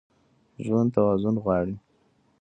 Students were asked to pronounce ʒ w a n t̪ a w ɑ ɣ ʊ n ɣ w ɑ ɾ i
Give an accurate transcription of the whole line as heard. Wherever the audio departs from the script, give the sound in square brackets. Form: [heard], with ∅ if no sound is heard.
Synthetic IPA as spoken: ʒ w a n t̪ a w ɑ [z] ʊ n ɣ w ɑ [ɽ] i